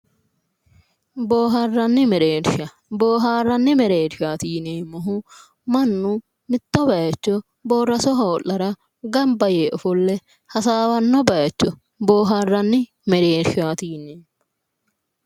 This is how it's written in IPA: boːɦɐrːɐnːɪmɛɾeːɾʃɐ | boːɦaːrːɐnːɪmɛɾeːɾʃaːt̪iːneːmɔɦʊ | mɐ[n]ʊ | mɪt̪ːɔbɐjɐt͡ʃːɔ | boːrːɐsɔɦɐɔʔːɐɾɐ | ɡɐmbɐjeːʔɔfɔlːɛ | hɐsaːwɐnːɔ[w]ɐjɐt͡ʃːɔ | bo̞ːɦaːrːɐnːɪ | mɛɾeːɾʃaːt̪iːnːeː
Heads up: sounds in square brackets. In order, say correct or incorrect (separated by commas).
incorrect, incorrect